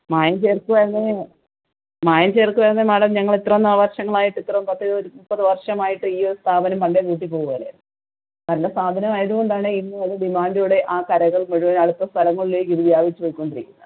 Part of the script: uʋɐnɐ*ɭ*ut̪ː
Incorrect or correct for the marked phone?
incorrect: ɽ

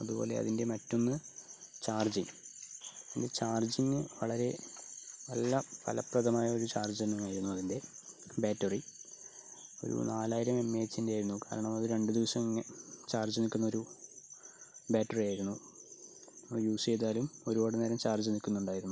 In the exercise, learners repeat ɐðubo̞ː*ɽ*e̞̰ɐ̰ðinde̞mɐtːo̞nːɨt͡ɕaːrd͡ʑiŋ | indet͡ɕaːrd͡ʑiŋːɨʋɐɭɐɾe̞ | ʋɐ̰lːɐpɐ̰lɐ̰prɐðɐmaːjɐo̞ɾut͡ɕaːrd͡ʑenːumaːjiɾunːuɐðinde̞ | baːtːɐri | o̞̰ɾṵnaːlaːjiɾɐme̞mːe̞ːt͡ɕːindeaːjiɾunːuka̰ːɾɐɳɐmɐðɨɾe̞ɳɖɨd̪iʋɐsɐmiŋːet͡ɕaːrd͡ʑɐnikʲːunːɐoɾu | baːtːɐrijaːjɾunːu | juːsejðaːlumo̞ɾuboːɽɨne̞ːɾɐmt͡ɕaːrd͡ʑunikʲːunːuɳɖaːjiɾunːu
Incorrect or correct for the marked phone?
incorrect: l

